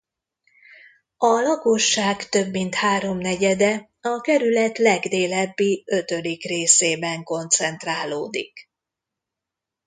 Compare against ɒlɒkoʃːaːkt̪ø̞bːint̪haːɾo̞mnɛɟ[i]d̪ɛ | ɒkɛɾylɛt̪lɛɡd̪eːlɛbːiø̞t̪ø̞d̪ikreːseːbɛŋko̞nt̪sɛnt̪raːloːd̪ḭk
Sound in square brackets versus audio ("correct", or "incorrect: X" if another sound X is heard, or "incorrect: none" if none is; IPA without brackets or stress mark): incorrect: ɛ